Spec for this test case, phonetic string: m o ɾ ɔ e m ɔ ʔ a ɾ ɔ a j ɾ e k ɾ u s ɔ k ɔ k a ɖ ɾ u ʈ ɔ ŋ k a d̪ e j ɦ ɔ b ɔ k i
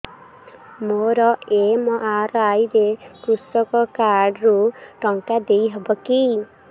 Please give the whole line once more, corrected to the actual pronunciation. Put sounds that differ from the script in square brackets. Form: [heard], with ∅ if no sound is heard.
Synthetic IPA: m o ɾ ɔ e m ɔ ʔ a ɾ ɔ a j ɾ e k ɾ u s ɔ k ɔ k a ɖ ɾ u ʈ ɔ ŋ k a d̪ e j ɦ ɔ b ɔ k i